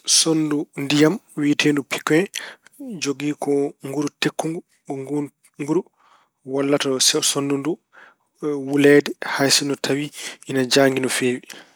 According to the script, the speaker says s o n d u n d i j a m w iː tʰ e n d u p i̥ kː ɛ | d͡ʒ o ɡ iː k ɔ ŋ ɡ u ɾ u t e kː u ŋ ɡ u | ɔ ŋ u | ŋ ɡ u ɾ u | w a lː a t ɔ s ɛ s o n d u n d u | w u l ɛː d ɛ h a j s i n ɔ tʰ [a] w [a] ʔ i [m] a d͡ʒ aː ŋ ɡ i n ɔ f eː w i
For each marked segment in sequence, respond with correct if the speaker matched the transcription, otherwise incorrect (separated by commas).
correct, incorrect, incorrect